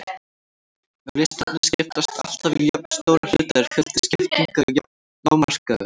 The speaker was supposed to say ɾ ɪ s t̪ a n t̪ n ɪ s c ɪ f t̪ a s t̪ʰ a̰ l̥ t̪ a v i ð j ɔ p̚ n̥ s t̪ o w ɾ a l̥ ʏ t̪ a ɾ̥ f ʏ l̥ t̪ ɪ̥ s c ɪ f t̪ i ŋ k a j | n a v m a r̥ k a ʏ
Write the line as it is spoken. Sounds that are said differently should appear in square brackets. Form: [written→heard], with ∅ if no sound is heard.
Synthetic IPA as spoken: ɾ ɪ s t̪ a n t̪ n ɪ s c ɪ f t̪ a s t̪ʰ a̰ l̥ t̪ a v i ð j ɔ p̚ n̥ s t̪ o w ɾ a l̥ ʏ t̪ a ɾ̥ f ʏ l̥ t̪ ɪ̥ s c ɪ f t̪ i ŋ k a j | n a [v→w] m a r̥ k a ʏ